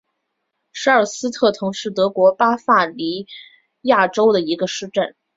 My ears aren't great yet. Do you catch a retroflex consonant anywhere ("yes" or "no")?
yes